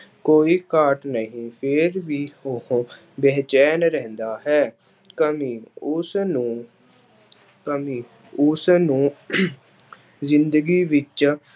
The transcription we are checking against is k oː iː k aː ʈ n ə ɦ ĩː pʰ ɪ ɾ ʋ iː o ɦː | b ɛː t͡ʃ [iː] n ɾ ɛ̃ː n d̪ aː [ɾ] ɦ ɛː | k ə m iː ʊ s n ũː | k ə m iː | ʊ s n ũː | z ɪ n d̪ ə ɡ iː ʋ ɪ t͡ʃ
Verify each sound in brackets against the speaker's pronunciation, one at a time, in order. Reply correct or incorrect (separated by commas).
incorrect, incorrect